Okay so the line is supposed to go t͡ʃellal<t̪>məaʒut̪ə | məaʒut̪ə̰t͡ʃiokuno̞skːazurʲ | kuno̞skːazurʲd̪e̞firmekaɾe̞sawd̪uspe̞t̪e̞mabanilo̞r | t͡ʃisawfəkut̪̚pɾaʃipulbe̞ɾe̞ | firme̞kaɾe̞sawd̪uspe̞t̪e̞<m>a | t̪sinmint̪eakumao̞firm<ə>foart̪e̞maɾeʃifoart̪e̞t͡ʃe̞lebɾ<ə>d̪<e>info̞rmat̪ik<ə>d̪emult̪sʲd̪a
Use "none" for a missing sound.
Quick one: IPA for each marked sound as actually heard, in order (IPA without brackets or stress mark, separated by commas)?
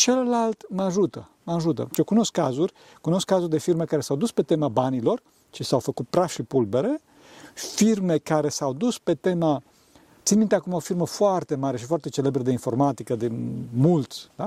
t̪, m, ə, ə, e, ə